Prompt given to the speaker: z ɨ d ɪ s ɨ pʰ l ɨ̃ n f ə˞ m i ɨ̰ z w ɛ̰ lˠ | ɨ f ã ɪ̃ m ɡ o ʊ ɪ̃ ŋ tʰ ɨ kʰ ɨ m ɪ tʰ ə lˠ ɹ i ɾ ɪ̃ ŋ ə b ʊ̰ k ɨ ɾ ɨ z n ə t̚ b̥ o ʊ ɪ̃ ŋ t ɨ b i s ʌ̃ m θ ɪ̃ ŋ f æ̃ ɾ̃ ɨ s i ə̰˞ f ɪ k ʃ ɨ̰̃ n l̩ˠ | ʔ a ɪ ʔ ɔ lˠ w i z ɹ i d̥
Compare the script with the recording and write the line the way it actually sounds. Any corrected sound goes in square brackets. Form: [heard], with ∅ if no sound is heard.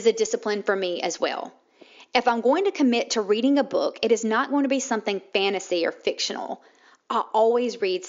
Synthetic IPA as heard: z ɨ d ɪ s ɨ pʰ l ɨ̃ n f ə˞ m i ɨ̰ z w ɛ̰ lˠ | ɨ f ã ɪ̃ m ɡ o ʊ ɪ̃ ŋ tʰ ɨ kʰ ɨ m ɪ tʰ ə [∅] ɹ i ɾ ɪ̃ ŋ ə b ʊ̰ k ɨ ɾ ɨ z n ə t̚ [ɡ̥] o ʊ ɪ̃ ŋ t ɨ b i s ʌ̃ m θ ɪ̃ ŋ f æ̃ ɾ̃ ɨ s i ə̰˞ f ɪ k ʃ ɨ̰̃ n l̩ˠ | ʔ a ɪ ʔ ɔ lˠ w i z ɹ i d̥